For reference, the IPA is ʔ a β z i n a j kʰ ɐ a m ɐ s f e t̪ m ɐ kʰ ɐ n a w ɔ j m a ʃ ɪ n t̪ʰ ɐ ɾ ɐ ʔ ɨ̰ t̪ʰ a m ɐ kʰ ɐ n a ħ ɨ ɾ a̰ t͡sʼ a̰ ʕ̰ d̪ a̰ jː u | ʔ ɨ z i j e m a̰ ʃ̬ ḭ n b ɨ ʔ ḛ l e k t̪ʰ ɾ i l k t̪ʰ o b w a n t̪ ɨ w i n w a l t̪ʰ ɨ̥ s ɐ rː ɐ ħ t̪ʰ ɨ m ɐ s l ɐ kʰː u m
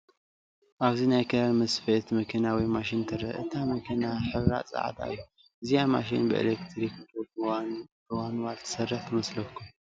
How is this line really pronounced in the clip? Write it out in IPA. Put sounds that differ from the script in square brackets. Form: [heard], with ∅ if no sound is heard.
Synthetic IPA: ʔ a β z i n a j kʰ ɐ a m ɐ s f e t̪ m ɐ kʰ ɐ n a w ɔ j m a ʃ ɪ n t̪ʰ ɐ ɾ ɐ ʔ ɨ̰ t̪ʰ a m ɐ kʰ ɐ n a ħ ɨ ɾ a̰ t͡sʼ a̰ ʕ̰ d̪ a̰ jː u | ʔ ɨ z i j [a] m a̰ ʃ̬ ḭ n b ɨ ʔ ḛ l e k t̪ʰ ɾ i [∅] k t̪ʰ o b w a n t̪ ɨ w [a] n w a l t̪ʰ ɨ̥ s ɐ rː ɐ ħ t̪ʰ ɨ m ɐ s l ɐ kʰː u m